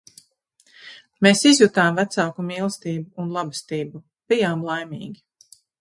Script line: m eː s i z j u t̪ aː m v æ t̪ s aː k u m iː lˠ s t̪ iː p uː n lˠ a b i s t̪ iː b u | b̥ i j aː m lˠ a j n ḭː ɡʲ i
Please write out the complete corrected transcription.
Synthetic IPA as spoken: m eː s i z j u t̪ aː m v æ t̪ s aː k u m iː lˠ s t̪ iː b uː n lˠ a b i s t̪ iː b u | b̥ i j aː m lˠ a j m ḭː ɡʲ i